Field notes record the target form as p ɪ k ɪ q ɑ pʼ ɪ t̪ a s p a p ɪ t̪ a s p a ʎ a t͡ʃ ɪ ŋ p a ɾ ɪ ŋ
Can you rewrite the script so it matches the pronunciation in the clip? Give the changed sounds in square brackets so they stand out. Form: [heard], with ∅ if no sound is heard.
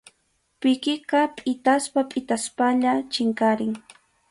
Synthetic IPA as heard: p ɪ k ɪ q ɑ pʼ ɪ t̪ a s p a [pʼ] ɪ t̪ a s p a ʎ a t͡ʃ ɪ ŋ [k] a ɾ ɪ ŋ

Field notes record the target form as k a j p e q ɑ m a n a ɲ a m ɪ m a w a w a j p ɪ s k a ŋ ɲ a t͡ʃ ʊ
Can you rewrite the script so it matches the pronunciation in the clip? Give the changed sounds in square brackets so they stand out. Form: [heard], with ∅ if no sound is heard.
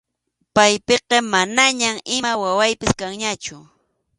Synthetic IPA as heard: [p] a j p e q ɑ m a n a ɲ a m ɪ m a w a w a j p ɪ s k a ŋ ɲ a t͡ʃ ʊ

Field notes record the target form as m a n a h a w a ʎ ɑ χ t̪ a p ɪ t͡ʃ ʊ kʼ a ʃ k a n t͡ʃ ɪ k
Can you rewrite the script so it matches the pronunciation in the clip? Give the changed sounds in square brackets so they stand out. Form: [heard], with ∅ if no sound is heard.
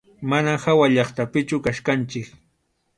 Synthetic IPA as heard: m a n a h a w a ʎ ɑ χ t̪ a p ɪ t͡ʃ ʊ [k] a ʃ k a n t͡ʃ ɪ k

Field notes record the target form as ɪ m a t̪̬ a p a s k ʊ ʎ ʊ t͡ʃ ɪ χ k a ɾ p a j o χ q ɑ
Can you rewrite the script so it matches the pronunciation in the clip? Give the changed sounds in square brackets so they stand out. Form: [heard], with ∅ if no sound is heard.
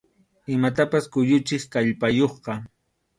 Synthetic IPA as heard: ɪ m a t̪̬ a p a s k ʊ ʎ ʊ t͡ʃ ɪ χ k a [ʎ] p a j o χ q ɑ

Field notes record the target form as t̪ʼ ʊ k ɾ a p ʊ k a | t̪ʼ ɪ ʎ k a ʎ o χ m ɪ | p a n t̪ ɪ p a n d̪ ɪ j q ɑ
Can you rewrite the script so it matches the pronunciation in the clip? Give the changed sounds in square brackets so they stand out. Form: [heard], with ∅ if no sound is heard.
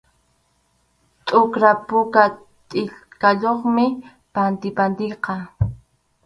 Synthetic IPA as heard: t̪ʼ ʊ k ɾ a p ʊ k a | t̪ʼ ɪ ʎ k a ʎ o χ m ɪ | p a n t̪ ɪ p a n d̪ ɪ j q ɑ

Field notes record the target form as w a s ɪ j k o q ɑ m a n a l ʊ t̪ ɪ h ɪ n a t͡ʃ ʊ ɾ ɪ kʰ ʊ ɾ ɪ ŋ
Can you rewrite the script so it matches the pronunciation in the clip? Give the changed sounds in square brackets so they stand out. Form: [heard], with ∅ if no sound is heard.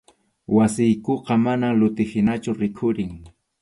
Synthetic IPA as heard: w a s ɪ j k o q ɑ m a n a l ʊ t̪ ɪ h ɪ n a t͡ʃ ʊ ɾ ɪ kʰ ʊ ɾ ɪ ŋ

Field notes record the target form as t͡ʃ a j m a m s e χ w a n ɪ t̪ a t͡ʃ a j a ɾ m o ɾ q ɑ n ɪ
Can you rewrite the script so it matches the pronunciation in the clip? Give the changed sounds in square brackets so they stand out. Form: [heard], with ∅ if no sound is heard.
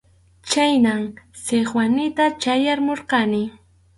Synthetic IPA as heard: t͡ʃ a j [n] a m s e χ w a n ɪ t̪ a t͡ʃ a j a ɾ m o ɾ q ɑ n ɪ

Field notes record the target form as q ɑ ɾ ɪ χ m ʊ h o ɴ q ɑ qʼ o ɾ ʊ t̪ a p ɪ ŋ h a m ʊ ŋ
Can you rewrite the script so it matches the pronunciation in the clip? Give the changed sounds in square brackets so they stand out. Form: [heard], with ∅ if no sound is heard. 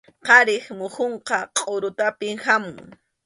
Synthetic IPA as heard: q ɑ ɾ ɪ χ m ʊ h o ɴ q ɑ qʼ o ɾ ʊ t̪ a p ɪ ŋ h a m ʊ ŋ

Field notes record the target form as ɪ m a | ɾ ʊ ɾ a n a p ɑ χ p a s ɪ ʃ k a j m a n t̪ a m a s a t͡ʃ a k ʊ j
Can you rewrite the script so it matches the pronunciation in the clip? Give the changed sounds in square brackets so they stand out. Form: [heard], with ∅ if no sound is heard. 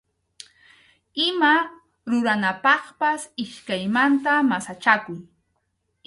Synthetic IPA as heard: ɪ m a | ɾ ʊ ɾ a n a p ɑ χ p a s ɪ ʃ k a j m a n t̪ a m a s a t͡ʃ a k ʊ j

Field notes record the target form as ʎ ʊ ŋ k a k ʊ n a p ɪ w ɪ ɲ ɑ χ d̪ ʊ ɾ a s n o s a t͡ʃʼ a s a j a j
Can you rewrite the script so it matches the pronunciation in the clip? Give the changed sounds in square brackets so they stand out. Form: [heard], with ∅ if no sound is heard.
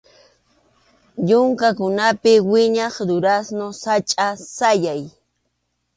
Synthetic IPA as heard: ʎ ʊ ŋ k a k ʊ n a p ɪ w ɪ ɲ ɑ χ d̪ ʊ ɾ a s n o s a t͡ʃʼ a s a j a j

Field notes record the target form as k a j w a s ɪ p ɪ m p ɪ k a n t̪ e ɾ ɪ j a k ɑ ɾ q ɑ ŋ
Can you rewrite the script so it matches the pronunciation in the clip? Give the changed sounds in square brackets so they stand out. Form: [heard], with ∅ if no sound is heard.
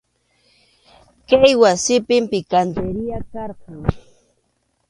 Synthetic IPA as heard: k a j w a s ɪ p ɪ m p ɪ k a n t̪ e ɾ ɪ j a k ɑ ɾ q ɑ ŋ

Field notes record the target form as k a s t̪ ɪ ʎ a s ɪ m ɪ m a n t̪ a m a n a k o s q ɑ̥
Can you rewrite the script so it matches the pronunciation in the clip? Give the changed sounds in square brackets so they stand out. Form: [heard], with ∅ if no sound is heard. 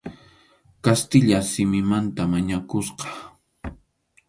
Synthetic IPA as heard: k a s t̪ ɪ ʎ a s ɪ m ɪ m a n t̪ a m a [ɲ] a k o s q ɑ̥

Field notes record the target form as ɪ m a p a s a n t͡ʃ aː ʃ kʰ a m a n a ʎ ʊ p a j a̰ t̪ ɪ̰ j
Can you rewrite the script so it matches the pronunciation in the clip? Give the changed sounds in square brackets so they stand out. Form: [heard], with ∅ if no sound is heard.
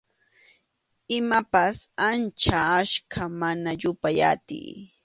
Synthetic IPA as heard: ɪ m a p a s a n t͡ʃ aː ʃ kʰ a m a n a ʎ ʊ p a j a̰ t̪ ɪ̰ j

